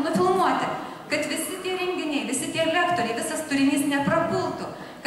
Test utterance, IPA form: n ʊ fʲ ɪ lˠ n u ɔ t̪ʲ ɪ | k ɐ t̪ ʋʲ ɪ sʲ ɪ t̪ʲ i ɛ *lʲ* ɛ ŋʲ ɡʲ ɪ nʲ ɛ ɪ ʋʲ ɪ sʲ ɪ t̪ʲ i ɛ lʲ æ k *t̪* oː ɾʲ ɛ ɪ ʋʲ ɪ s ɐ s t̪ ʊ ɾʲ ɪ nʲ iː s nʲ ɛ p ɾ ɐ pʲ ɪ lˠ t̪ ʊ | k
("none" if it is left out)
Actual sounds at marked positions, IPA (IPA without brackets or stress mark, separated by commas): ɾʲ, t̪